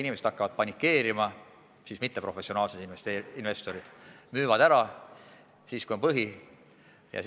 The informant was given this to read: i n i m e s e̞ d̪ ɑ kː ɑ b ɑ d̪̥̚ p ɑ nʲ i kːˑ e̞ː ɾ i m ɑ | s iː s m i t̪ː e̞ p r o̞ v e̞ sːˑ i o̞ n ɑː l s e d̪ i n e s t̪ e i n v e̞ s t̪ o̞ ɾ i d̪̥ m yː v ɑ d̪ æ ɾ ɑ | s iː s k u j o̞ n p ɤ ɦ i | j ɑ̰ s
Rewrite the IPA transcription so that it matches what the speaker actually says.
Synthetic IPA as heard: i n i m e s e̞ d̪ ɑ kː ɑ v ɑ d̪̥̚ p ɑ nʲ i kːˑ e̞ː ɾ i m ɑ | s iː s m i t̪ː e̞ p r o̞ f e̞ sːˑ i o̞ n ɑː l s e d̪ i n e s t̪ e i n v e̞ s t̪ o̞ ɾ i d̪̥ m yː v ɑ d̪ æ ɾ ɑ | s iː s k u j o̞ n p ɤ ɦ i | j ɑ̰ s